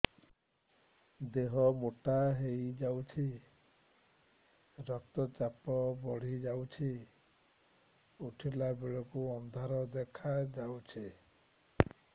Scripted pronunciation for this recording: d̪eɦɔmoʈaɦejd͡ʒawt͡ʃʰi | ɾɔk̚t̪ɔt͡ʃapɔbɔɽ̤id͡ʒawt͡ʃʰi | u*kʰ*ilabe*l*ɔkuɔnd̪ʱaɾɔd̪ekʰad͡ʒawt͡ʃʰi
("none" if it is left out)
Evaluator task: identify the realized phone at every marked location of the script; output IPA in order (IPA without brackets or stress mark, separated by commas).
ʈʰ, ɭ